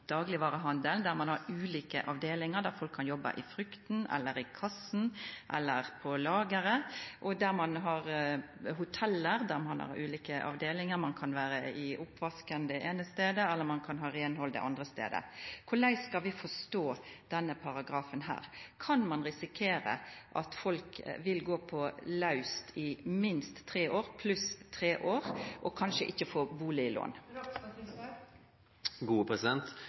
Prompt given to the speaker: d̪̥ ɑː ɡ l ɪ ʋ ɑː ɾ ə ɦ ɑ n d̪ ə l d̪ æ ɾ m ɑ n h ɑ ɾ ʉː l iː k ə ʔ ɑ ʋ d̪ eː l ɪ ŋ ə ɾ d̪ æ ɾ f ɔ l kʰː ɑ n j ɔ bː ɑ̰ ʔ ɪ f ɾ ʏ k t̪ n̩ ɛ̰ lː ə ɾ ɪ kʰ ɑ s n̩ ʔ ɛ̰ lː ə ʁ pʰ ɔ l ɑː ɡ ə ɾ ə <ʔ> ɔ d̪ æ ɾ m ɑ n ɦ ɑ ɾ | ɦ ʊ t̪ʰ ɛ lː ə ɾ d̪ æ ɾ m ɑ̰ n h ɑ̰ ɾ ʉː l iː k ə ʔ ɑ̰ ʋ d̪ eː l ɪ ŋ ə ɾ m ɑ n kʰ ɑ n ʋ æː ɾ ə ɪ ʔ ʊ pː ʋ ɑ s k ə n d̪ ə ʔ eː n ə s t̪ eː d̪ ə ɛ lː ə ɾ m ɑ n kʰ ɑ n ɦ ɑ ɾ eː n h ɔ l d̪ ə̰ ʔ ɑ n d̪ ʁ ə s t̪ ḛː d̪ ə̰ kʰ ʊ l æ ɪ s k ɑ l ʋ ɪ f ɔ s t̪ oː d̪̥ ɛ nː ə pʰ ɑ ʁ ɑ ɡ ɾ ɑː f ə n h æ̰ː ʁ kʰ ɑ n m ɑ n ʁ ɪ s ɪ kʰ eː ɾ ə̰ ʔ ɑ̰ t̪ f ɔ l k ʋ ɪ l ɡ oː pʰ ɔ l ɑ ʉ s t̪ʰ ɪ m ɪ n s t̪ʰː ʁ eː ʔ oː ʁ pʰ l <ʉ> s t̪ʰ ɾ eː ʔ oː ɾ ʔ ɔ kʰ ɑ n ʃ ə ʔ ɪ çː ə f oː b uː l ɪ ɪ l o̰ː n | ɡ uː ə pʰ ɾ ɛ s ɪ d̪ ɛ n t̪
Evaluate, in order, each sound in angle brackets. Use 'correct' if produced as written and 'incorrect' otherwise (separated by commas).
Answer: correct, correct